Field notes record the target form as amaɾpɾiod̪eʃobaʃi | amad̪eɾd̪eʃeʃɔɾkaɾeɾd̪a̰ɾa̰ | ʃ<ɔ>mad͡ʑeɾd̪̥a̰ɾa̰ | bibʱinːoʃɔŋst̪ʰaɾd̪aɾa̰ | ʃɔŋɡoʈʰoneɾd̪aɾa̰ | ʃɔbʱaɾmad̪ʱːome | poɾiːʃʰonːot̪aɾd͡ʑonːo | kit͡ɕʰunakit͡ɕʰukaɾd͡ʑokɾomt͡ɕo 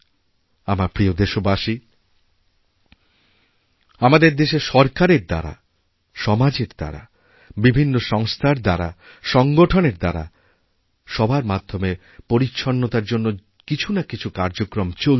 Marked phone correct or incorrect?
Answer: correct